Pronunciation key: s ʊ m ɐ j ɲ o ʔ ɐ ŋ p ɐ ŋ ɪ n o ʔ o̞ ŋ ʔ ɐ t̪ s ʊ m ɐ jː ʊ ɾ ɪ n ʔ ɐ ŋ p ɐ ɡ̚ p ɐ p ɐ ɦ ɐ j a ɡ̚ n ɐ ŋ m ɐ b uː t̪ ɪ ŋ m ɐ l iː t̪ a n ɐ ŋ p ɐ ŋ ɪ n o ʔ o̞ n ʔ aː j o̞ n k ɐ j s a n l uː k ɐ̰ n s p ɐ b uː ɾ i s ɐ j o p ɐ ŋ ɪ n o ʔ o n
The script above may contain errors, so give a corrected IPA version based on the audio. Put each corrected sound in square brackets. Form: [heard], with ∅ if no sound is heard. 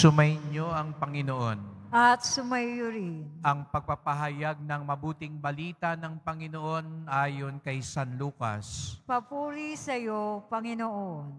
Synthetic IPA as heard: s ʊ m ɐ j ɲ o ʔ ɐ ŋ p ɐ ŋ ɪ n o ʔ o̞ [n] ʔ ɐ t̪ s ʊ m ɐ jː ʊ ɾ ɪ n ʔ ɐ ŋ p ɐ ɡ̚ p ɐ p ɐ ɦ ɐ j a ɡ̚ n ɐ ŋ m ɐ b uː t̪ ɪ ŋ [b] ɐ l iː t̪ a n ɐ ŋ p ɐ ŋ ɪ n o ʔ o̞ n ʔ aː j o̞ n k ɐ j s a n l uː k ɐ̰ [∅] s p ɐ [p] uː ɾ i s ɐ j o p ɐ ŋ ɪ n o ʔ o n